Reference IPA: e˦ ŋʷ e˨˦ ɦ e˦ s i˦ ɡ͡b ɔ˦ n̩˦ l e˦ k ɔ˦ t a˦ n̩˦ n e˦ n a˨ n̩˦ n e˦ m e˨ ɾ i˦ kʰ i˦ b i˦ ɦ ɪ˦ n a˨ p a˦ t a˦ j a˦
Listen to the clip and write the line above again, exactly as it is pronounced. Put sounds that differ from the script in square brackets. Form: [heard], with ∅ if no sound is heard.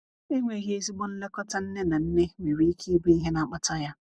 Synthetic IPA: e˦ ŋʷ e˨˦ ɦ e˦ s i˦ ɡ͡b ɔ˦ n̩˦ l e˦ k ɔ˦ t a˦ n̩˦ n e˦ n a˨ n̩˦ n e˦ m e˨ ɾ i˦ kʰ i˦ b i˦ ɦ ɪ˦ n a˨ [k͡p] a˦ t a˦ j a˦